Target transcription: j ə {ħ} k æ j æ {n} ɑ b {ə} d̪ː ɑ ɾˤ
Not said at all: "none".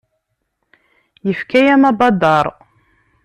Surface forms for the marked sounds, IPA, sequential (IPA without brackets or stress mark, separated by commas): f, m, ɑ